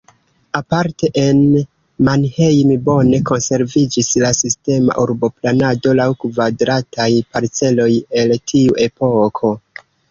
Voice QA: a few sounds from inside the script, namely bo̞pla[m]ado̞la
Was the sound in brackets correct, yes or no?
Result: no